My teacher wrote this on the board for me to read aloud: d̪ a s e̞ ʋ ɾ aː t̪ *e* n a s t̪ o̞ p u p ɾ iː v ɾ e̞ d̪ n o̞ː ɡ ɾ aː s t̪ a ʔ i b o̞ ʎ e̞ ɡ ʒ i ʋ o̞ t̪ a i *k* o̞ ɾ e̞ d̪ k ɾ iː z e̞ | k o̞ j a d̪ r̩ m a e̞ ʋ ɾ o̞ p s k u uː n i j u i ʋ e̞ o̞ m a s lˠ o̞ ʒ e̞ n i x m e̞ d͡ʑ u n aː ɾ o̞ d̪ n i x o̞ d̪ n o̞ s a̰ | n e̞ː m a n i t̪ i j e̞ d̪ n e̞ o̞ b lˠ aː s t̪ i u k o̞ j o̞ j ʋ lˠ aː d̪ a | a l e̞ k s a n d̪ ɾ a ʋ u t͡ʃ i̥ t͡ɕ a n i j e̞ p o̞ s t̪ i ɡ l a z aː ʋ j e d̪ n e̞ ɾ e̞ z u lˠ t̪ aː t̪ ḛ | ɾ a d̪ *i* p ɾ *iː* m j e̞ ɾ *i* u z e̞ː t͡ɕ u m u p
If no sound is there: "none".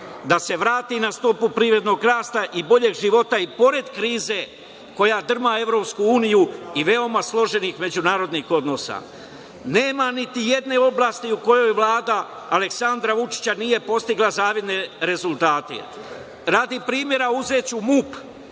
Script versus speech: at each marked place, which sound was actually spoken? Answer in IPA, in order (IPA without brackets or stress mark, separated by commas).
i, p, i, iː, a